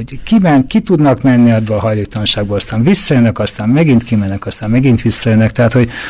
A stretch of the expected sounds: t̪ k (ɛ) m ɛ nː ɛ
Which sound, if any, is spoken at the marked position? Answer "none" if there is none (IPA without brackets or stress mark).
i